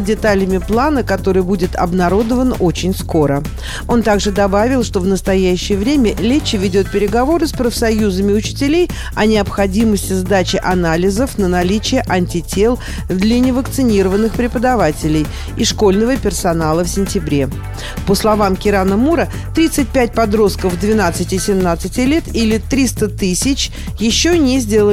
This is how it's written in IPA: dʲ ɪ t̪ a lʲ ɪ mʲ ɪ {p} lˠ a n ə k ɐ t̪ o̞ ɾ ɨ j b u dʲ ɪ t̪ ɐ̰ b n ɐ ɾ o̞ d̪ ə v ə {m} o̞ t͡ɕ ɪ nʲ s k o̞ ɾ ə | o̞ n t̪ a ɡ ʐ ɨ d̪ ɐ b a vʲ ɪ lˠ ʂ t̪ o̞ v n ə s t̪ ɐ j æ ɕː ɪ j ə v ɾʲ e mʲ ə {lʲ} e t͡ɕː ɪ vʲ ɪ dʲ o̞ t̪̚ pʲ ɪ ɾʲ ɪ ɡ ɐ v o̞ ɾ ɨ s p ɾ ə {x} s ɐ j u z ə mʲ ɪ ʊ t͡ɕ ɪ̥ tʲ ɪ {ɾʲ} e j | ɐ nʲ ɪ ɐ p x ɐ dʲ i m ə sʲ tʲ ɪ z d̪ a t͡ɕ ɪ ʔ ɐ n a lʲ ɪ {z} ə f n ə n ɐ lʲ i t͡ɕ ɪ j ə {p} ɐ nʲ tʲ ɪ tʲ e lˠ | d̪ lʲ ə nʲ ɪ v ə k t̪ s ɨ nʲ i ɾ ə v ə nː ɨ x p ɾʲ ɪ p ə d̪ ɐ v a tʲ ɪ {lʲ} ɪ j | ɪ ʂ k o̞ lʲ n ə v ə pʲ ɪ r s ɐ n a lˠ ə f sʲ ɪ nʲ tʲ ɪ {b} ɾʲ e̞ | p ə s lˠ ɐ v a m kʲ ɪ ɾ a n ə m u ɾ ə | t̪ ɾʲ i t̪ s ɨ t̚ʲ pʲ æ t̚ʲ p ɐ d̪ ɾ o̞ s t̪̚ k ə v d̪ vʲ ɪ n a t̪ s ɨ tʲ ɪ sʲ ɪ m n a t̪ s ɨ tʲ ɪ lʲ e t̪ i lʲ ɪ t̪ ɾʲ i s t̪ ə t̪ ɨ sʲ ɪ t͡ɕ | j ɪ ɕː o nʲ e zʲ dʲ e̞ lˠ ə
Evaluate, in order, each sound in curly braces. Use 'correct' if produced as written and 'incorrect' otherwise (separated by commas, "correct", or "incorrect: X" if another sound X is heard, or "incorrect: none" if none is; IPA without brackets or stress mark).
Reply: correct, incorrect: n, correct, incorrect: f, incorrect: lʲ, correct, incorrect: ʔ, correct, correct